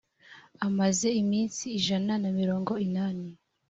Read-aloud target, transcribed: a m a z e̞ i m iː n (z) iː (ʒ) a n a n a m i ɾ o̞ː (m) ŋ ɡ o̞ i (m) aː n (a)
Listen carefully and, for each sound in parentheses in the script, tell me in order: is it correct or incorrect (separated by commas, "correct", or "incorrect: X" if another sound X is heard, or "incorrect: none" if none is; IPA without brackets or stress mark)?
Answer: incorrect: s, correct, incorrect: none, incorrect: n, incorrect: i